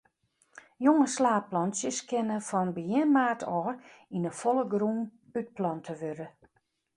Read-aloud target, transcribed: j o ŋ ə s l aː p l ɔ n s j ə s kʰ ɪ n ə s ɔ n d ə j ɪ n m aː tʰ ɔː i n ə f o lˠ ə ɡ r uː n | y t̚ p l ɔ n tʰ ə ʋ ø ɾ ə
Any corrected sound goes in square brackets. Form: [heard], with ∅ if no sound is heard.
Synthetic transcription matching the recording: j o ŋ ə s l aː p l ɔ n s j ə s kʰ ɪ n ə [f] ɔ n [b] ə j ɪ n m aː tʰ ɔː i n ə f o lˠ ə ɡ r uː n | y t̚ p l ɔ n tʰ ə ʋ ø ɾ ə